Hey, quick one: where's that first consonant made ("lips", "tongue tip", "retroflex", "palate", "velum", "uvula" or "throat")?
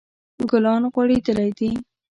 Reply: velum